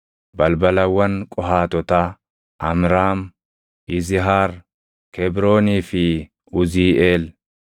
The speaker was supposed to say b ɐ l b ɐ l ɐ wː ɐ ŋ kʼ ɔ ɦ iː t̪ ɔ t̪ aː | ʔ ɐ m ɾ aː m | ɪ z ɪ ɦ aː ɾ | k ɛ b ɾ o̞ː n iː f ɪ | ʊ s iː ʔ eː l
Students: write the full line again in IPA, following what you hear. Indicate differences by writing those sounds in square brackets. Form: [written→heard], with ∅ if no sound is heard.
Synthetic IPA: b ɐ l b ɐ l ɐ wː ɐ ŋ kʼ ɔ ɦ [iː→aː] t̪ ɔ t̪ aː | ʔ ɐ m ɾ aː m | ɪ z ɪ ɦ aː ɾ | k ɛ b ɾ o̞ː n iː f ɪ | ʊ [s→z] iː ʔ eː l